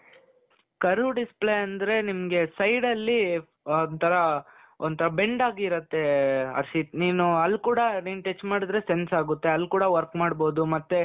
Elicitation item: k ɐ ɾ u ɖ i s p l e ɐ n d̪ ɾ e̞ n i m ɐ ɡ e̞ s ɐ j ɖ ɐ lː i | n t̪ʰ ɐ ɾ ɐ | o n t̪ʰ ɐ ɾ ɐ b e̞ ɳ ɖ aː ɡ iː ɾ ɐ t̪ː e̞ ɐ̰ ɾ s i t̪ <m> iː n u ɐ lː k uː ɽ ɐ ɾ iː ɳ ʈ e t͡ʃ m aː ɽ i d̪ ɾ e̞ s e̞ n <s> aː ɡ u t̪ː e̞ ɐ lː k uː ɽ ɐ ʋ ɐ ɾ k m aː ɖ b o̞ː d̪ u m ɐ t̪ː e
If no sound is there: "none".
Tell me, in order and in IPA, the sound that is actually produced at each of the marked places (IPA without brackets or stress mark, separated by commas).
n, s